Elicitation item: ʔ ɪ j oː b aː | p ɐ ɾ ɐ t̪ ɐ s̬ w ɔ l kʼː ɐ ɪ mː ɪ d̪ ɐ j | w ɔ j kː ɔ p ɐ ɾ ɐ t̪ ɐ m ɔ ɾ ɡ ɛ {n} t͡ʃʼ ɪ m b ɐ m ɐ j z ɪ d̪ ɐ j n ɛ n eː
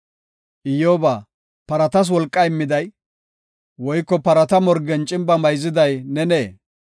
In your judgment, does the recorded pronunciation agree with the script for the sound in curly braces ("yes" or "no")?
yes